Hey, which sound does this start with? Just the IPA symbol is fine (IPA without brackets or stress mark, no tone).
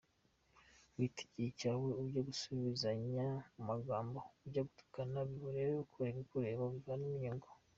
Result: w